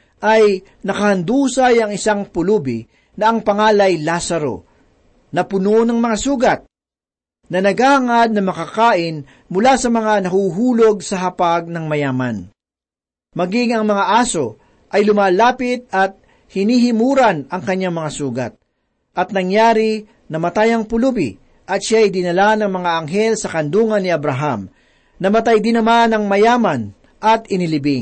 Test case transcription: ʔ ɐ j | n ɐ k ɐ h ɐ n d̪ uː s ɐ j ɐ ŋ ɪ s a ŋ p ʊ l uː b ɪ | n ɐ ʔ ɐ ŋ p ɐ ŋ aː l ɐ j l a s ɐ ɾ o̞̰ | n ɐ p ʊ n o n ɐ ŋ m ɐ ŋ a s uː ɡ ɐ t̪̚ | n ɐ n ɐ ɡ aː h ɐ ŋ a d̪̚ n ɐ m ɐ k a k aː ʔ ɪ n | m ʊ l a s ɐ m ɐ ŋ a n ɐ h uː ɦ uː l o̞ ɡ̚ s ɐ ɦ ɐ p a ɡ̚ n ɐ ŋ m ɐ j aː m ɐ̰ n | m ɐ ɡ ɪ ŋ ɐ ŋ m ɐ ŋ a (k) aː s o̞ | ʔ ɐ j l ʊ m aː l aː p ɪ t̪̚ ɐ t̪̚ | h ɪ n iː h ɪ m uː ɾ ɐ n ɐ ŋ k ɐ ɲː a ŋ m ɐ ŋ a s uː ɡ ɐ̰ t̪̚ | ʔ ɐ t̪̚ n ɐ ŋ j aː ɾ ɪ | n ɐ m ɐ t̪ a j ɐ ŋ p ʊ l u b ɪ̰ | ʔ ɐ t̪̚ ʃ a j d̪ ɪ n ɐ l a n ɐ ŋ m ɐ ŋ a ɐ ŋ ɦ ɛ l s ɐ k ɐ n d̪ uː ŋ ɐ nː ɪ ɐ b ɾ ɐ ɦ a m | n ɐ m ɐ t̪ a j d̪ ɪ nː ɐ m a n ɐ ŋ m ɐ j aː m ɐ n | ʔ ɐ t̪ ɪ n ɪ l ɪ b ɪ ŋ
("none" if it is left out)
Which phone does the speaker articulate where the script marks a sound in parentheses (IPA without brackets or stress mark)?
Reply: ʔ